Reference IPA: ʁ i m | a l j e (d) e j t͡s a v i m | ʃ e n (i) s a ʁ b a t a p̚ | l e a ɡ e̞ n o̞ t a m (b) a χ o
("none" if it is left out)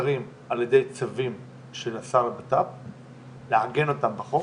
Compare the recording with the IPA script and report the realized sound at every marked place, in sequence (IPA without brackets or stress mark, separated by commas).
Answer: d, a, b